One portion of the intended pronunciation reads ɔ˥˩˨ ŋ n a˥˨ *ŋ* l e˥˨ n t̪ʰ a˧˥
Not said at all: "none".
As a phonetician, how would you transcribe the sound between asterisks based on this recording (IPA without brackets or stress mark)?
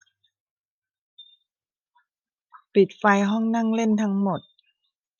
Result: ŋ